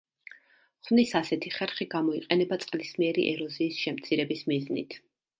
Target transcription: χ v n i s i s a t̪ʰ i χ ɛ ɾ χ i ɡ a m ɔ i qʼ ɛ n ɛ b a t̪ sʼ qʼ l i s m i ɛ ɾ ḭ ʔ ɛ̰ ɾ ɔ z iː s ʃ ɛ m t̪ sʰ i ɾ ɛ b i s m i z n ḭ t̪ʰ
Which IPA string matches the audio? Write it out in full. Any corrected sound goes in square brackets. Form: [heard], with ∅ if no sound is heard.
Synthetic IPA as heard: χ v n i s [a] s [ɛ] t̪ʰ i χ ɛ ɾ χ i ɡ a m ɔ i qʼ ɛ n ɛ b a t̪ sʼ qʼ l i s m i ɛ ɾ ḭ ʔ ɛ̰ ɾ ɔ z iː s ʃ ɛ m t̪ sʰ i ɾ ɛ b i s m i z n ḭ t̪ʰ